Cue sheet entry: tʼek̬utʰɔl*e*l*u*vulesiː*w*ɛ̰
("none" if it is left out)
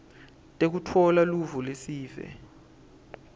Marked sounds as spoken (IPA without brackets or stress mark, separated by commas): a, u, v